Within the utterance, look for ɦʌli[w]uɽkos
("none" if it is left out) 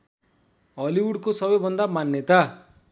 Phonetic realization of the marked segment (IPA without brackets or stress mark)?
w